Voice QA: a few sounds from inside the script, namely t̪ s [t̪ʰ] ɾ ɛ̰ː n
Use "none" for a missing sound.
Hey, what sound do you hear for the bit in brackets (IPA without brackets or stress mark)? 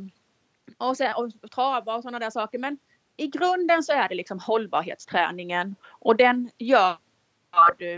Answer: t̪ʰ